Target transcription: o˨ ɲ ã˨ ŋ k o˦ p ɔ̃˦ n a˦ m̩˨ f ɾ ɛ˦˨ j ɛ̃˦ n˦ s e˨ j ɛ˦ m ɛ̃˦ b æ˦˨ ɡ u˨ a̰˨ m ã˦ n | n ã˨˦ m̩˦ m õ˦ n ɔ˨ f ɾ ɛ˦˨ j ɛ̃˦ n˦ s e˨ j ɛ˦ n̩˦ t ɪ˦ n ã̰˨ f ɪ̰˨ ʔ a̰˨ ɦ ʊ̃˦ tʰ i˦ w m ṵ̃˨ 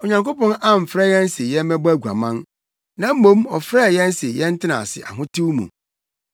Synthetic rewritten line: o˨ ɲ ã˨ ŋ k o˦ p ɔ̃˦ n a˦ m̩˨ f ɾ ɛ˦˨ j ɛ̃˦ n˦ s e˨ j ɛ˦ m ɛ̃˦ b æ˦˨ ɡ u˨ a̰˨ m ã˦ n | n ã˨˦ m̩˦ m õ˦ m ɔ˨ f ɾ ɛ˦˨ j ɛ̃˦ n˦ s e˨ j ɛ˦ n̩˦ t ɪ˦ n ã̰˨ s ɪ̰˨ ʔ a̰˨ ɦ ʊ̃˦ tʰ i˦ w m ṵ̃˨